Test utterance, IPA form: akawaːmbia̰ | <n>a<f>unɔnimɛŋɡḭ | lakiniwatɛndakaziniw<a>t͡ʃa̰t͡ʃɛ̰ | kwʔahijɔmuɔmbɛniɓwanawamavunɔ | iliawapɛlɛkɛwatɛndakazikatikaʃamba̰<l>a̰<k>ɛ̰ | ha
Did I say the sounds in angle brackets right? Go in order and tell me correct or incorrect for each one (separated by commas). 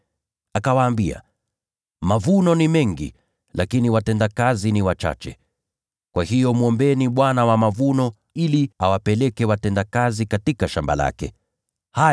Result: incorrect, incorrect, correct, correct, correct